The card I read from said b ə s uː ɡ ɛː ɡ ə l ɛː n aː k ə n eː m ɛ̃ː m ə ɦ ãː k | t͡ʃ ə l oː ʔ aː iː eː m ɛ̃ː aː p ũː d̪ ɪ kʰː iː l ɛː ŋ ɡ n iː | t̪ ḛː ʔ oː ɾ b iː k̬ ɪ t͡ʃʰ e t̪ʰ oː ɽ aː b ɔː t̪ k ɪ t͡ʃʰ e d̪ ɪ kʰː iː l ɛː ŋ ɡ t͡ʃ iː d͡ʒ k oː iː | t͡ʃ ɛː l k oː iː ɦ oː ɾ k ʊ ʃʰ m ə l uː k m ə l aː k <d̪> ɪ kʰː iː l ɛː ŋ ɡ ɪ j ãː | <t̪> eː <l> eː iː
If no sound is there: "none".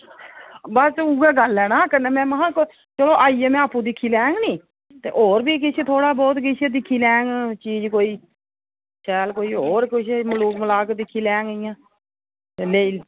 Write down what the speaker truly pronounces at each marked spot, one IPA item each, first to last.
d̪, t̪, l

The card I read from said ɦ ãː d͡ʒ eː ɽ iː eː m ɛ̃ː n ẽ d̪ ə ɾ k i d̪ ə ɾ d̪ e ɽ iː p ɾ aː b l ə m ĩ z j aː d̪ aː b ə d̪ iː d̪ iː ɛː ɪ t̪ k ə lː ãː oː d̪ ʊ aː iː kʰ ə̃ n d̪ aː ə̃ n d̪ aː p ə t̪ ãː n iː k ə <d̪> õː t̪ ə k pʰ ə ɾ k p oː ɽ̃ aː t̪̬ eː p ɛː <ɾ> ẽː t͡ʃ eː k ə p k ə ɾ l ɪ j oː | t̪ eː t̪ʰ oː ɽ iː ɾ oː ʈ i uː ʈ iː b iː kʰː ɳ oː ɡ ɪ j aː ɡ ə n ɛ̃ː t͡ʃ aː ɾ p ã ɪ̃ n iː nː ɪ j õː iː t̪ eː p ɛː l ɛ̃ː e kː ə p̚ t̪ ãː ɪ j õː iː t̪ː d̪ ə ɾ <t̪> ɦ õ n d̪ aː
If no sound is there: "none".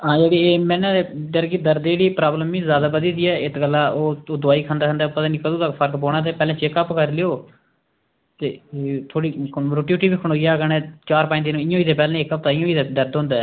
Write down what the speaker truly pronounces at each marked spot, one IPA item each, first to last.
d̪, l, d̪

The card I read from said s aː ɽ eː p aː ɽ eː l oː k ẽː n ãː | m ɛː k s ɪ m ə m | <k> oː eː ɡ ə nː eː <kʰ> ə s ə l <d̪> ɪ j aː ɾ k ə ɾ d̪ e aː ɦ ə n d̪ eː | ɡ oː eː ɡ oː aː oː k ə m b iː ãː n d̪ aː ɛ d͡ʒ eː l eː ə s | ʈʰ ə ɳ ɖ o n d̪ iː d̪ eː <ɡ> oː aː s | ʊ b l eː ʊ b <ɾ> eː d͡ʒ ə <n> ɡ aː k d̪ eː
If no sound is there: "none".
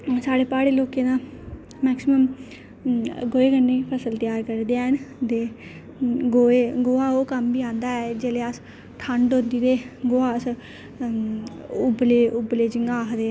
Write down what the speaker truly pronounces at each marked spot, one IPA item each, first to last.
ɡ, pʰ, t̪, ɡ, l, ŋ

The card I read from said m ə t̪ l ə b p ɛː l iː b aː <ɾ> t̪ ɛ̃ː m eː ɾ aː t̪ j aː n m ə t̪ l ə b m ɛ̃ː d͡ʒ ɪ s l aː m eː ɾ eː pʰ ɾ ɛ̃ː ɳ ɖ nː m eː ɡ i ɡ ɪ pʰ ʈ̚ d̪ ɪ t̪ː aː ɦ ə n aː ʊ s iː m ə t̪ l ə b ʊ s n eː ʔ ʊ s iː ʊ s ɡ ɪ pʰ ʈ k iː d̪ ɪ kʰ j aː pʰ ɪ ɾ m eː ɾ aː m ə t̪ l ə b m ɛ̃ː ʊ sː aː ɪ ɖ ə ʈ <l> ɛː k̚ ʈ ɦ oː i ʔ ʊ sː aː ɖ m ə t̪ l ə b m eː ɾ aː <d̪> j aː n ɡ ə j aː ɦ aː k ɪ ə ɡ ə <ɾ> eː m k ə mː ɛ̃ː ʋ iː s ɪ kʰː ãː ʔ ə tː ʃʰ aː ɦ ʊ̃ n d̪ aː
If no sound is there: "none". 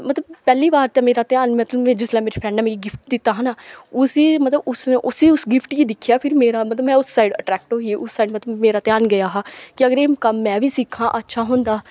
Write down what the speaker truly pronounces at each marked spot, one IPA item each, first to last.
ɾ, ɾ, t̪, ɾ

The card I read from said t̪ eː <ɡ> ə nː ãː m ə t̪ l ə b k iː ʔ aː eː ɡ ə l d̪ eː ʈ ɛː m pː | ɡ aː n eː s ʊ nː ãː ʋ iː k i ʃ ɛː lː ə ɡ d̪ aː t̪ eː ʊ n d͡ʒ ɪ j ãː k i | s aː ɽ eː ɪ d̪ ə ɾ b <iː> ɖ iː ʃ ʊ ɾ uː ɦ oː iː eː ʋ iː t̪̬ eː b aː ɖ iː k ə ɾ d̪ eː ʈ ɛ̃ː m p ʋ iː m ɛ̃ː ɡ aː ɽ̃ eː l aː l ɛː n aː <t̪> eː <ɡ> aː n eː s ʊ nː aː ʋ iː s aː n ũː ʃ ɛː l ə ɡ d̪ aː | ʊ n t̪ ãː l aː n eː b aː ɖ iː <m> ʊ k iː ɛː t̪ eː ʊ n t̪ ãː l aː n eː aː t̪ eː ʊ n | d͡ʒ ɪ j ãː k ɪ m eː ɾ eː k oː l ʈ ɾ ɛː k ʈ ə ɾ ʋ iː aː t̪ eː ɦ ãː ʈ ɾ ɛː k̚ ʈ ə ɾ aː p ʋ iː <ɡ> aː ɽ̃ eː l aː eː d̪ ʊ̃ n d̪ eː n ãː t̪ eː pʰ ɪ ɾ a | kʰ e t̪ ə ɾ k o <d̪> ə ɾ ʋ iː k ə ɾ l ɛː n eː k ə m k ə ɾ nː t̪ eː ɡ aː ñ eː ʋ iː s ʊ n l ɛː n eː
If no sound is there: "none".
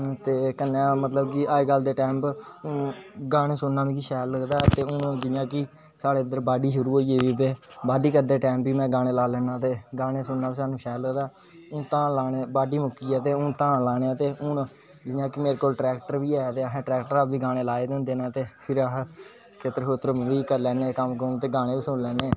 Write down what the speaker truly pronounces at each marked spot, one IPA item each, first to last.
k, aː, t̪, ɡ, m, ɡ, t̪

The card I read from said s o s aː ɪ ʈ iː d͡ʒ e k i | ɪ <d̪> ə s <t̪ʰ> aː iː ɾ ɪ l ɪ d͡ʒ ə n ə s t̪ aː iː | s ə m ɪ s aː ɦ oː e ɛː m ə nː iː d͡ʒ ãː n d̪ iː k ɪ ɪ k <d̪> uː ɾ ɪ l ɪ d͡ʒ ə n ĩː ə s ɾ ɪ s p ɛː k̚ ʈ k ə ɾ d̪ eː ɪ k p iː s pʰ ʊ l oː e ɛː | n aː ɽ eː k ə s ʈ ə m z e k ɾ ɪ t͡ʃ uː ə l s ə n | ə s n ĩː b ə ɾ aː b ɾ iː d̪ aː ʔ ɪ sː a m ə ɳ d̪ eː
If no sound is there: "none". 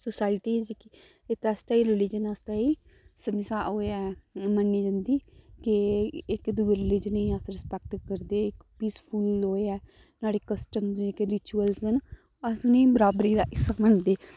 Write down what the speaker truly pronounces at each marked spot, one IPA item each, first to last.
t̪, t̪, d̪

